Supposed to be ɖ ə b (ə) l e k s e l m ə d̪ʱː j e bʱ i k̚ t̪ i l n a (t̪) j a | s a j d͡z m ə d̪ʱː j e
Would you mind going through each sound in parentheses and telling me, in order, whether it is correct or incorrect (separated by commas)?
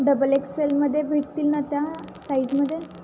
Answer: correct, correct